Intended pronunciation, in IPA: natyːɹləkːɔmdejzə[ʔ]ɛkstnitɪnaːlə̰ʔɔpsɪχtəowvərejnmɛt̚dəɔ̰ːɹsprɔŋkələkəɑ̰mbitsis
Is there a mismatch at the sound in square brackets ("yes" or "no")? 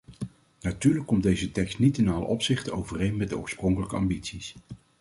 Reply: yes